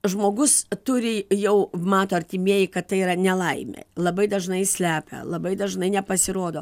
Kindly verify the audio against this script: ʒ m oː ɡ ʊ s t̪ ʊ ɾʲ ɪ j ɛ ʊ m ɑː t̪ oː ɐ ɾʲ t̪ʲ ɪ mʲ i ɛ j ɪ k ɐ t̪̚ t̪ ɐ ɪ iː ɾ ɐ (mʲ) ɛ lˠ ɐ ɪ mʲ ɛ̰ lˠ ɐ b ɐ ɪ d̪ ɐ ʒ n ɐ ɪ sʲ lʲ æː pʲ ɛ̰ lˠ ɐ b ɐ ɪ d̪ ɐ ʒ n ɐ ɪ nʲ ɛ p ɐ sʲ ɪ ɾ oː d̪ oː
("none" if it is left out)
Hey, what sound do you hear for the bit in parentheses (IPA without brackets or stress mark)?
nʲ